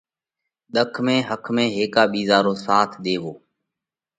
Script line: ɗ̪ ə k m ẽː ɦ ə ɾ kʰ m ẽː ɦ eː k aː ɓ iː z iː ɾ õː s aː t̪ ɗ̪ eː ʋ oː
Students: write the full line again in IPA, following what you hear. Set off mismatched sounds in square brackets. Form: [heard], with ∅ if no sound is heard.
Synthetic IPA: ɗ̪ ə [kʰ] m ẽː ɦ ə [∅] kʰ m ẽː ɦ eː k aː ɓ iː z [aː] ɾ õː s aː [t̪ʰ] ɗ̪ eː ʋ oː